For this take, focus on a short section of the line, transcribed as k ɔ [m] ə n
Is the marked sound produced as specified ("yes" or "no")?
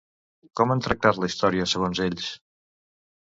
yes